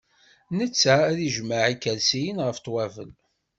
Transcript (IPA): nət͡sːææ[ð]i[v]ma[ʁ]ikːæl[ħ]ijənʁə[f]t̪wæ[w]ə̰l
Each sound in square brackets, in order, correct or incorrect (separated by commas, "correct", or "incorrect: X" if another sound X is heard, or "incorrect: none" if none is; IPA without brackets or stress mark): correct, incorrect: ʒ, incorrect: ʕ, incorrect: s, correct, incorrect: v